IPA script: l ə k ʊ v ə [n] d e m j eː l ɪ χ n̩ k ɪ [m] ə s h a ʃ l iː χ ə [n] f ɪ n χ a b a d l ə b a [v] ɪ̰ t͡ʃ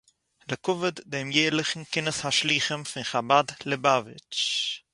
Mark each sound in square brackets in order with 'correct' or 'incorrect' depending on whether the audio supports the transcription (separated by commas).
incorrect, incorrect, incorrect, correct